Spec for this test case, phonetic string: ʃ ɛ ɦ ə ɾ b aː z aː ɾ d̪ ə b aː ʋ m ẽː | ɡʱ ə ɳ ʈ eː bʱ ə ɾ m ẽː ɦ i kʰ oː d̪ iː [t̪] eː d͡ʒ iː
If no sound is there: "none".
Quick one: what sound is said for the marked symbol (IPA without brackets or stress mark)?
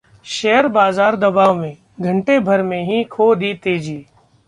t̪